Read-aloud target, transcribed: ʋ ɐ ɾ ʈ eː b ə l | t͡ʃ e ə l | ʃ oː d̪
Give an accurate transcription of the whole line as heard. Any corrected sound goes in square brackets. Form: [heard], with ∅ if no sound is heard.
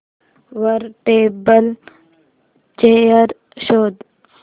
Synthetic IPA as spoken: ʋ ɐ ɾ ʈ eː b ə l | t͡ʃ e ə [ɾ] | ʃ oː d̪